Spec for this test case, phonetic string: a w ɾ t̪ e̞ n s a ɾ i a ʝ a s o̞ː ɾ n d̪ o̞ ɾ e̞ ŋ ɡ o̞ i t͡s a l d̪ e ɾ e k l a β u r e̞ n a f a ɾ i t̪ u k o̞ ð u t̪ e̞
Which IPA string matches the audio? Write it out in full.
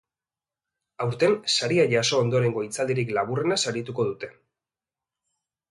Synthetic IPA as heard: a w ɾ t̪ e̞ n s a ɾ i a ʝ a s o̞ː n d̪ o̞ ɾ e̞ ŋ ɡ o̞ i t͡s a l d̪ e ɾ i k l a β u r e̞ n a s a ɾ i t̪ u k o̞ ð u t̪ e̞